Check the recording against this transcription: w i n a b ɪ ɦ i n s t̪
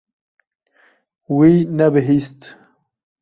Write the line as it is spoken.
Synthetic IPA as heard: w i n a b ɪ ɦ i s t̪